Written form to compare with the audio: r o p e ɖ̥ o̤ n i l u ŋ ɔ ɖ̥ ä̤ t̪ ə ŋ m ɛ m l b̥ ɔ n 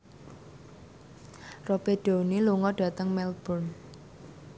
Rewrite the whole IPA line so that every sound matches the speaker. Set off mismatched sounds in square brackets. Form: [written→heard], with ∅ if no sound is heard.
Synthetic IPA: r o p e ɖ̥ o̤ n i l u ŋ ɔ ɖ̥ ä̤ t̪ ə ŋ m ɛ [m→∅] l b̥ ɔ n